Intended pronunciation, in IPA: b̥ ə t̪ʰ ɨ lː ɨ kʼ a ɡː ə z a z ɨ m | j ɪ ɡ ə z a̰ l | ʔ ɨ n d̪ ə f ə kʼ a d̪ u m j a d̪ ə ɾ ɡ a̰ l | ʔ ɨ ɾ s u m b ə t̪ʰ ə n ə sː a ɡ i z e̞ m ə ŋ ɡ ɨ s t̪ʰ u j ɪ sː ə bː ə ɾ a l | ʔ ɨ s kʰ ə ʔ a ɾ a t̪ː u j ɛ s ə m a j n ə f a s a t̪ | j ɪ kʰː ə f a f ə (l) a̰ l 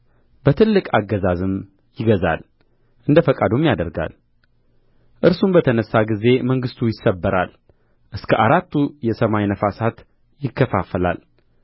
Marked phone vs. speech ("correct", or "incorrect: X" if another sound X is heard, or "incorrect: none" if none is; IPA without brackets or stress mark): correct